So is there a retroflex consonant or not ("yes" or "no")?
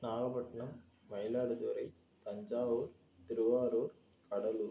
yes